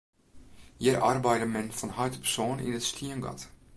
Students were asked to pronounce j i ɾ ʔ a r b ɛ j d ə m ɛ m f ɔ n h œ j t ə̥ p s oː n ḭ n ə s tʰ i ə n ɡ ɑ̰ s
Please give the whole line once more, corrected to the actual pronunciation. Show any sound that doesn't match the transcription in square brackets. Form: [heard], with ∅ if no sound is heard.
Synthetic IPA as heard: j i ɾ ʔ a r b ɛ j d ə m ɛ [n] f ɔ n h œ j t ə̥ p s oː n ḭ n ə s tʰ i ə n ɡ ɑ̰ [t]